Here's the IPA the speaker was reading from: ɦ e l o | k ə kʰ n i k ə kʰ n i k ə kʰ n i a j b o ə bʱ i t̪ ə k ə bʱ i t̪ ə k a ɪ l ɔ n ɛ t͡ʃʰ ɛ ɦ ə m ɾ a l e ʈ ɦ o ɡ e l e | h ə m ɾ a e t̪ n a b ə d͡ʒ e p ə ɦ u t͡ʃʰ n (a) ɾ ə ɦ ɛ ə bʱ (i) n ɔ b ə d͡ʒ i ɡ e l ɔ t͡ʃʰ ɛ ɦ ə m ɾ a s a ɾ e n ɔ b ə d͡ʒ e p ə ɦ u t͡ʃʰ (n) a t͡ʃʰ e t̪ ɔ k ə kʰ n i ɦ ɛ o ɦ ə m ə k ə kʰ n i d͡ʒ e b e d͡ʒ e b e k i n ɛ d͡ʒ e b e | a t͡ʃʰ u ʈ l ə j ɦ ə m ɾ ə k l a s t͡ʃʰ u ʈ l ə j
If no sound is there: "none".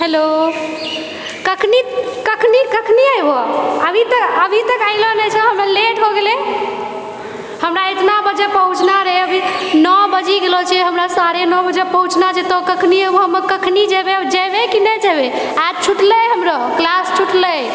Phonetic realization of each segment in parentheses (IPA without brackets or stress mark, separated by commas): a, i, n